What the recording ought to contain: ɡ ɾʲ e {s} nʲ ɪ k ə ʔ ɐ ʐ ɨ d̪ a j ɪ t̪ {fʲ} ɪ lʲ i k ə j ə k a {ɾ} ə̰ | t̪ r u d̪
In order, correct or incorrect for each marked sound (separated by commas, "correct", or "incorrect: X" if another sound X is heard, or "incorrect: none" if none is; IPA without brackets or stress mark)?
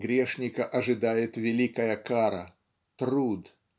incorrect: ʂ, incorrect: vʲ, correct